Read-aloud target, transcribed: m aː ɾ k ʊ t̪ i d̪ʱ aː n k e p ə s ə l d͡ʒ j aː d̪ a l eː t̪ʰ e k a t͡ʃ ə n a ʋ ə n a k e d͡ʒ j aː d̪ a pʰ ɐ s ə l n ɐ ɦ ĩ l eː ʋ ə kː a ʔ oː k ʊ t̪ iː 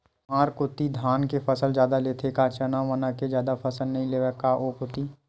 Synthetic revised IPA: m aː ɾ k ʊ t̪ i d̪ʱ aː n k e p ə s ə l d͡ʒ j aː d̪ a l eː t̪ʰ e k a t͡ʃ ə n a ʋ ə n a k e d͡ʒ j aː d̪ a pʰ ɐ s ə l n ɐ ɦ ĩ l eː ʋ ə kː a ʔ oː k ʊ t̪ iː